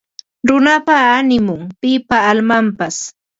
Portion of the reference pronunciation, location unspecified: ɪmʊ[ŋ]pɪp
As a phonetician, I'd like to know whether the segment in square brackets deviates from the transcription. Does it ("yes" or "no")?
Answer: no